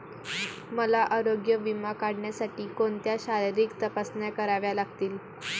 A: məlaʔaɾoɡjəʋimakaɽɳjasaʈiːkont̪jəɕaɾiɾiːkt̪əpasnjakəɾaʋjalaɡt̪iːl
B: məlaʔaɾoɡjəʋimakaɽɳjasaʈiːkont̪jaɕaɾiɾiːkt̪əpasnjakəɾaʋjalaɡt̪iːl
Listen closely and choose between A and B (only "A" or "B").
B